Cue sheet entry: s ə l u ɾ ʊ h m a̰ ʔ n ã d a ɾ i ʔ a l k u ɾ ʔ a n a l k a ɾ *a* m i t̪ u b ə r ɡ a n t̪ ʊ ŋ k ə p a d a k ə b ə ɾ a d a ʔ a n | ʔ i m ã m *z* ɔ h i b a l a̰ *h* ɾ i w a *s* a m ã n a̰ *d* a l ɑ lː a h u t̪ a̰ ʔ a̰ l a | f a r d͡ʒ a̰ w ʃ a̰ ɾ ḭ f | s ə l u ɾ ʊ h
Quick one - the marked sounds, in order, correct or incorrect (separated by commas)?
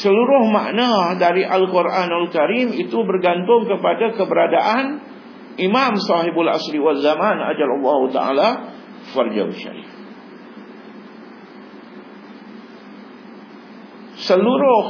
incorrect, incorrect, incorrect, incorrect, incorrect